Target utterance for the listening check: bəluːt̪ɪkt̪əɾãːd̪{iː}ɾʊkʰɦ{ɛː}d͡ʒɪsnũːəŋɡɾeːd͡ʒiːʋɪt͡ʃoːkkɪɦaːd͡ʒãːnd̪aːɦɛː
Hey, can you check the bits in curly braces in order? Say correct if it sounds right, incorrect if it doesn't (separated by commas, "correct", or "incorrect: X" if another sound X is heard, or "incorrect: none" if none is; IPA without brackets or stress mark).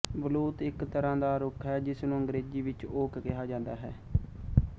incorrect: aː, correct